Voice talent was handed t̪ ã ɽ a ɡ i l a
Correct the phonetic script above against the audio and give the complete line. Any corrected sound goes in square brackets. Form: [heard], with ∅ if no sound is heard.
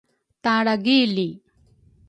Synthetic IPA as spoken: t̪ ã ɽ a ɡ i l [i]